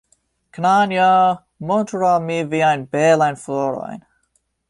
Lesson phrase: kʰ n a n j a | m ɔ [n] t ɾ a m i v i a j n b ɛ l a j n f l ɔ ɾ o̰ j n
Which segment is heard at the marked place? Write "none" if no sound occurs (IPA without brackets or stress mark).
n